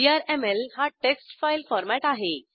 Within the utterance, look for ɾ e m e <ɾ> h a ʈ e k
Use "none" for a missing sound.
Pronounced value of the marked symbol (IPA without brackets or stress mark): l